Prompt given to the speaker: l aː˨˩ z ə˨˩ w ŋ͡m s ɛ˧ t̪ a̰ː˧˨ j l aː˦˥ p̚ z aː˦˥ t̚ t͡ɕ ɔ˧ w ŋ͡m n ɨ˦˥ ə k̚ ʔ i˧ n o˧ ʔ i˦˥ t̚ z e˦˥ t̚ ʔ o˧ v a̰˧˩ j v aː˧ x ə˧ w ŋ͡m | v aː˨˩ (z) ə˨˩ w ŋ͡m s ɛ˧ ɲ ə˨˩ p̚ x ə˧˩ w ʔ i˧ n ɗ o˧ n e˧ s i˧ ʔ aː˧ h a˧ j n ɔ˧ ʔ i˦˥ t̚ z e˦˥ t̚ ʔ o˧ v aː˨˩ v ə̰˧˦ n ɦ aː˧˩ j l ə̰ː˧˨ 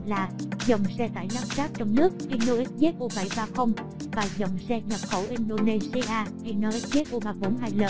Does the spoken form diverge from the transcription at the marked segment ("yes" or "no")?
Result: no